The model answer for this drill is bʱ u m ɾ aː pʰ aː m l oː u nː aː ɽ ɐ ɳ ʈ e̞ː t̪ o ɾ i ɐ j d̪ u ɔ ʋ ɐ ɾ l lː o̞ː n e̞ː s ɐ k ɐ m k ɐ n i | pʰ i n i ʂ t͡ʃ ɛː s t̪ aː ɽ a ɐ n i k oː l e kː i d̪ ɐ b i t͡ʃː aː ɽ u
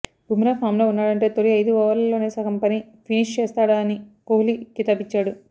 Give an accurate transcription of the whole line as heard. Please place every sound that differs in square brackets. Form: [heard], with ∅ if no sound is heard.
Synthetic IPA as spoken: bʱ u m ɾ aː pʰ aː m l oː u nː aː ɽ ɐ ɳ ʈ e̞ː t̪ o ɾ i ɐ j d̪ u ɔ ʋ ɐ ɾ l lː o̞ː n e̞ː s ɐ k ɐ m [p] ɐ n i | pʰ i n i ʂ t͡ʃ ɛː s t̪ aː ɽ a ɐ n i k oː l [i] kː i [t̪] ɐ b i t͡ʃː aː ɽ u